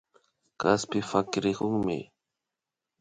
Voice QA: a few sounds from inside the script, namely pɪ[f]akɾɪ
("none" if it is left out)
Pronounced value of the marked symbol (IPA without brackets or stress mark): f